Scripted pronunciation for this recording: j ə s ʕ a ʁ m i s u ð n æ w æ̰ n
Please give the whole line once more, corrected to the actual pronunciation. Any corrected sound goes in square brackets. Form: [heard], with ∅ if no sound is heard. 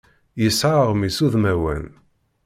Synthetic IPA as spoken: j ə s ʕ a ʁ m i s u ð [m] æ w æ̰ n